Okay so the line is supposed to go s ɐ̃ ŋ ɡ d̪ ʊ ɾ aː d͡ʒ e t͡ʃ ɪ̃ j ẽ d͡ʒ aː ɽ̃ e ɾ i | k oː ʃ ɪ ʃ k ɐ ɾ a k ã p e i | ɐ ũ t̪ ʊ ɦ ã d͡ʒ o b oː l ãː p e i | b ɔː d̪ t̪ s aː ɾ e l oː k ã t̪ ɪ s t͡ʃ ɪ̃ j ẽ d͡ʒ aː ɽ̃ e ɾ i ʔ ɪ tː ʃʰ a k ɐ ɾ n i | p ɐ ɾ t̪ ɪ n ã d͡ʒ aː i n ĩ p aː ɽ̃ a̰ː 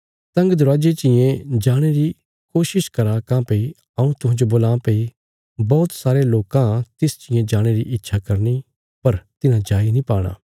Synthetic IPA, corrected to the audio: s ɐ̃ ŋ ɡ d̪ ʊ ɾ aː d͡ʒ e t͡ʃ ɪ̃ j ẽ d͡ʒ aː ɽ̃ e ɾ i | k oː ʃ ɪ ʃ k ɐ ɾ a k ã p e i | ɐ ũ t̪ ʊ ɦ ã d͡ʒ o b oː l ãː p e i | b ɔː t̪ s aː ɾ e l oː k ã t̪ ɪ s t͡ʃ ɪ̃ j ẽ d͡ʒ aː ɽ̃ e ɾ i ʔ ɪ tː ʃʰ a k ɐ ɾ n i | p ɐ ɾ t̪ ɪ n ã d͡ʒ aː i n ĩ p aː ɽ̃ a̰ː

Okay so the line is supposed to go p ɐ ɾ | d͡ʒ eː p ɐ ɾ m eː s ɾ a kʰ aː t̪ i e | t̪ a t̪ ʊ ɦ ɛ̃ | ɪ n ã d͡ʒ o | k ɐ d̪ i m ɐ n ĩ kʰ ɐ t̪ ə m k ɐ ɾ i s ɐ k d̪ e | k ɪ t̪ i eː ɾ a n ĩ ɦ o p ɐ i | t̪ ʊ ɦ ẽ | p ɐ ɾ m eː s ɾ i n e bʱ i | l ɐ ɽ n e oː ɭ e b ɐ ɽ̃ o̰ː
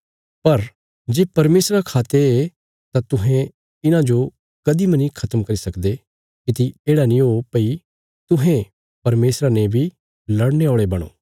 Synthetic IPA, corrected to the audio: p ɐ ɾ | d͡ʒ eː p ɐ ɾ m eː s ɾ a kʰ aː t̪ e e | t̪ a t̪ ʊ ɦ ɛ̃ | ɪ n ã d͡ʒ o | k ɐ d̪ i m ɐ n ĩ kʰ ɐ t̪ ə m k ɐ ɾ i s ɐ k d̪ e | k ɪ t̪ i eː ɽ a n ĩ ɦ o p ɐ i | t̪ ʊ ɦ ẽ | p ɐ ɾ m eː s ɾ a n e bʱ i | l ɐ ɽ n e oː ɭ e b ɐ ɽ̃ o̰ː

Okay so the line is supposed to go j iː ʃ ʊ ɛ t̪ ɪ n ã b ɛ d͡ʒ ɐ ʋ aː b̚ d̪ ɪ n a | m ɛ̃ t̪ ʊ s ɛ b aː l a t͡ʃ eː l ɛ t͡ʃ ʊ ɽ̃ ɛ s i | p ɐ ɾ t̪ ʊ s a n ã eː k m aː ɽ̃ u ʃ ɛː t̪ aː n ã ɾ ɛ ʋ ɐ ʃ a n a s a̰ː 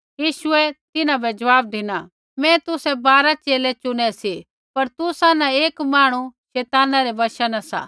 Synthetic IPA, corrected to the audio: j iː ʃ ʊ ɛ t̪ ɪ n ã b ɛ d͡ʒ ɐ ʋ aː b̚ d̪ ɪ n a | m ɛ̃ t̪ ʊ s ɛ b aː ɾ a t͡ʃ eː l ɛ t͡ʃ ʊ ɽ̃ ɛ s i | p ɐ ɾ t̪ ʊ s a n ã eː k m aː ɽ̃ u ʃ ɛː t̪ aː n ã ɾ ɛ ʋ ɐ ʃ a n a s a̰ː

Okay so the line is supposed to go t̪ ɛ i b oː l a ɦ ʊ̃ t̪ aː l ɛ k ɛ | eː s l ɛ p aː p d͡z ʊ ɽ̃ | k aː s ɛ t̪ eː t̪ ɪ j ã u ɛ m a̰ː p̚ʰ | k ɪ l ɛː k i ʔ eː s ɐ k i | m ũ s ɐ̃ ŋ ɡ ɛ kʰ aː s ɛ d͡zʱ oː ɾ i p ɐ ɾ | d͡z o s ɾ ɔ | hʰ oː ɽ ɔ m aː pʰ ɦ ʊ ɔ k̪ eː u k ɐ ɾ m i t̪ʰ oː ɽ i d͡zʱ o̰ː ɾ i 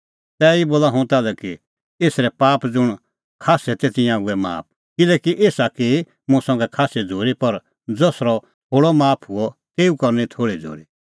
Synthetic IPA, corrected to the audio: t̪ ɛ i b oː l a ɦ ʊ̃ t̪ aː l ɛ k i | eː s ɾ ɛ p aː p d͡z ʊ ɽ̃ | kʰ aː s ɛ t̪ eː t̪ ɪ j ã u ɛ m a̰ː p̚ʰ | k ɪ l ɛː k i ʔ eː s a k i | m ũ s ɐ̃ ŋ ɡ ɛ kʰ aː s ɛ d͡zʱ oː ɾ i p ɐ ɾ | d͡z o s ɾ ɔ | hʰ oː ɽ ɔ m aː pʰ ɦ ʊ ɔ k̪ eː u k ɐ ɾ n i t̪ʰ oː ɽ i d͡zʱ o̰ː ɾ i

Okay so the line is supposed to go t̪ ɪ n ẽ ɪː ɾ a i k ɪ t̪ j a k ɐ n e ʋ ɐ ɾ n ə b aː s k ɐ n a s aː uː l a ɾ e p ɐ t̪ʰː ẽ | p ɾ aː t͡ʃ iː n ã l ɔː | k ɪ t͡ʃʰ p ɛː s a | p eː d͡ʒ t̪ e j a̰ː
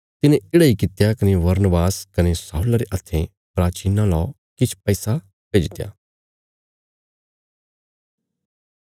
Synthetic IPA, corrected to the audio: t̪ ɪ n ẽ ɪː ɽ a i k ɪ t̪ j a k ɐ n e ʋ ɐ ɾ n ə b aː s k ɐ n e s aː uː l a ɾ e ʔ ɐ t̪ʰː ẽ | p ɾ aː t͡ʃ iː n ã l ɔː | k ɪ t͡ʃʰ p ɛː s a | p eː d͡ʒ t̪ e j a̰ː

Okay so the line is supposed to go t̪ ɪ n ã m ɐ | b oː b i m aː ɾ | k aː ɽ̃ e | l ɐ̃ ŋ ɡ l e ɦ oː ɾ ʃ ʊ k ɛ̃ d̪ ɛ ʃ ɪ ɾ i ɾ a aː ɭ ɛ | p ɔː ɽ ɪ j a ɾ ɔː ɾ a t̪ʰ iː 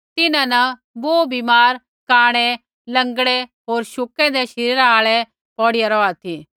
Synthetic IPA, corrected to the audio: t̪ ɪ n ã n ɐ | b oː b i m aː ɾ | k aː ɽ̃ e | l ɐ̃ ŋ ɡ ɽ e ɦ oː ɾ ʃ ʊ k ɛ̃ d̪ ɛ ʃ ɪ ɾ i ɾ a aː ɭ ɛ | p ɔː ɽ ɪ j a ɾ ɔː a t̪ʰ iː

